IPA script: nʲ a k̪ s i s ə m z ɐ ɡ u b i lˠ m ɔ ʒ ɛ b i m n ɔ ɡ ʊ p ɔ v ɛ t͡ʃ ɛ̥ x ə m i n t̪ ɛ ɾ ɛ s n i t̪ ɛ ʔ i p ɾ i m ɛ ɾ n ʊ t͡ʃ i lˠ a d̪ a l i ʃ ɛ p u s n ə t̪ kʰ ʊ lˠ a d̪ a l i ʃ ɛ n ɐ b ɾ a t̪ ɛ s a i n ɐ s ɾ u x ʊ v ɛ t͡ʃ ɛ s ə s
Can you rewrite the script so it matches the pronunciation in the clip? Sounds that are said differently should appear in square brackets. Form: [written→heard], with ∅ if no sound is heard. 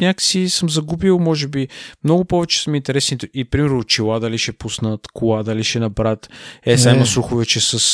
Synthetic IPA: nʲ a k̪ s i s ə m z ɐ ɡ u b i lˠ m ɔ ʒ ɛ b i m n ɔ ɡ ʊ p ɔ v ɛ t͡ʃ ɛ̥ [x→s] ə m i n t̪ ɛ ɾ ɛ s n i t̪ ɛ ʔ i p ɾ i m ɛ ɾ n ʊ t͡ʃ i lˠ a d̪ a l i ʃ ɛ p u s n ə t̪ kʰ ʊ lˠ a d̪ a l i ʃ ɛ n ɐ b ɾ a t̪ ɛ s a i [n→m] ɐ s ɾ u x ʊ v ɛ t͡ʃ ɛ s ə s